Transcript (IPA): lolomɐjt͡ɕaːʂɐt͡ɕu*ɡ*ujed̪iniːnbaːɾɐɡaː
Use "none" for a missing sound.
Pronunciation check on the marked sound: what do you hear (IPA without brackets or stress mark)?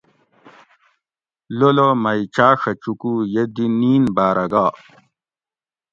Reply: k